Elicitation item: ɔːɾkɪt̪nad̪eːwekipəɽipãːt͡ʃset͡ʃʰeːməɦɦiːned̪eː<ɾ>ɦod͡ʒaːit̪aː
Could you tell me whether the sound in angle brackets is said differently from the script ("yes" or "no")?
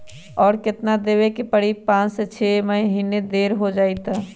no